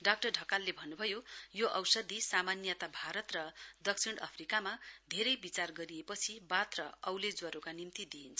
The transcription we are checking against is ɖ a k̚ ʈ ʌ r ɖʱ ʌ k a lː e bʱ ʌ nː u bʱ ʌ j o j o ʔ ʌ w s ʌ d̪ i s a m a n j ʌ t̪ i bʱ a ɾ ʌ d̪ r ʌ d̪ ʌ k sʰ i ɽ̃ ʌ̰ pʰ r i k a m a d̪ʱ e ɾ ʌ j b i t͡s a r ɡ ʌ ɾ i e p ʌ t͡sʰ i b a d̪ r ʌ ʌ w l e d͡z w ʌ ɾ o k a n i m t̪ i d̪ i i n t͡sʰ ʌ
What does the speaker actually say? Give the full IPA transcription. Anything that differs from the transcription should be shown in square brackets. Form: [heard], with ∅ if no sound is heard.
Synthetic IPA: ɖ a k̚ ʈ ʌ r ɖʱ ʌ k a lː e bʱ ʌ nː u bʱ ʌ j o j o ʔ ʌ w s ʌ d̪ i s a m a n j ʌ t̪ [a] bʱ a ɾ ʌ [t̪] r ʌ d̪ ʌ k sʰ i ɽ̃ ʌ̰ pʰ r i k a m a d̪ʱ e ɾ ʌ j b i t͡s a r ɡ ʌ ɾ i e p ʌ t͡sʰ i b a [t̪] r ʌ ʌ w l e d͡z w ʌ ɾ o k a n i m t̪ i d̪ i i n t͡sʰ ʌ